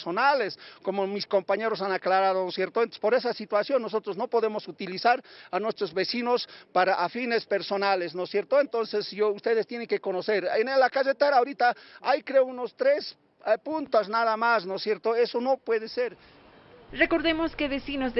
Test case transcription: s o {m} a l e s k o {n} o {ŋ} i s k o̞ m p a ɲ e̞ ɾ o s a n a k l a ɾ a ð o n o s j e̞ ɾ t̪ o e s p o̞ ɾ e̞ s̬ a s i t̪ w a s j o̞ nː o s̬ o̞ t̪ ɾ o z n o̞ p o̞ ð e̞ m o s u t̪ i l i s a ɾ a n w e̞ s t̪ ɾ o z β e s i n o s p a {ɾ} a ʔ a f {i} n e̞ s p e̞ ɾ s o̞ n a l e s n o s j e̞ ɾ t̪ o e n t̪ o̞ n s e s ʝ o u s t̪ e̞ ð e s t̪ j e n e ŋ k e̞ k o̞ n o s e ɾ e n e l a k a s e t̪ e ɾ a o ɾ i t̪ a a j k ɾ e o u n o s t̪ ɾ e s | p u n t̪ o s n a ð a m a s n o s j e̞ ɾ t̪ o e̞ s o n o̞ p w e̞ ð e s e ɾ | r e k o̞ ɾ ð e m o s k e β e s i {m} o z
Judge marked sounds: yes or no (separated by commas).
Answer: no, no, no, yes, yes, no